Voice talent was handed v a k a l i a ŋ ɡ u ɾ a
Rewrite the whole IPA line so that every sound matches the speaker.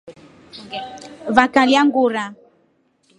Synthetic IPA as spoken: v a k a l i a ŋ ɡ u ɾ a